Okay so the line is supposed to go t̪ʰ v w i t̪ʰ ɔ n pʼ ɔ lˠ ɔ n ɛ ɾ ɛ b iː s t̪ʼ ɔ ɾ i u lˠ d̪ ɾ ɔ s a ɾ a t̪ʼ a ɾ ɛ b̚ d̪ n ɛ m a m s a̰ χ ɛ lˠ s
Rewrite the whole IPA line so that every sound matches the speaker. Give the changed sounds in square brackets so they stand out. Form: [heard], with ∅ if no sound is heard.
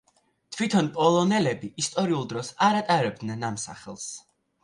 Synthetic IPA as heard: t̪ʰ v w i t̪ʰ ɔ n pʼ ɔ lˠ ɔ n ɛ [l] ɛ b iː s t̪ʼ ɔ ɾ i u lˠ d̪ ɾ ɔ s a ɾ a t̪ʼ a ɾ ɛ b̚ d̪ n ɛ [n] a m s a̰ χ ɛ lˠ s